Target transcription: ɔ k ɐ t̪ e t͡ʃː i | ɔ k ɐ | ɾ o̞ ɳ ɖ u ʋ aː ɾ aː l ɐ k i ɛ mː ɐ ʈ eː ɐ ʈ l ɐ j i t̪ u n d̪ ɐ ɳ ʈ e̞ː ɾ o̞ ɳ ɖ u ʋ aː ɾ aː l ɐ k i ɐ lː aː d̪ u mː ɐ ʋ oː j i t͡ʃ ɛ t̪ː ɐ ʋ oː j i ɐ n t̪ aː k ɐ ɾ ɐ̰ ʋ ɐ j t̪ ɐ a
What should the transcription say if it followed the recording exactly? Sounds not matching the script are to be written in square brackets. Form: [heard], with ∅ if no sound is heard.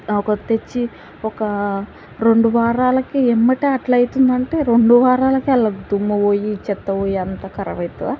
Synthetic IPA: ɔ k ɐ t̪ e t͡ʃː i | ɔ k ɐ | ɾ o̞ ɳ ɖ u ʋ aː ɾ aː l ɐ k i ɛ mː ɐ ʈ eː ɐ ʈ l ɐ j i t̪ u n d̪ ɐ ɳ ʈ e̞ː ɾ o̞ ɳ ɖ u ʋ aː ɾ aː l ɐ k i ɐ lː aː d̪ u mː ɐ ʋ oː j i t͡ʃ ɛ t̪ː ɐ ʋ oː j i ɐ n t̪ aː k ɐ ɾ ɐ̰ ʋ ɐ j t̪ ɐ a